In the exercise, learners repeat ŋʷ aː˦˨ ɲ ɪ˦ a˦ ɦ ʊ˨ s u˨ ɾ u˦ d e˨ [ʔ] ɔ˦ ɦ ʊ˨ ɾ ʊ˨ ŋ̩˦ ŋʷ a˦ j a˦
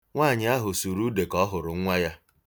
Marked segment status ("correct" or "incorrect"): incorrect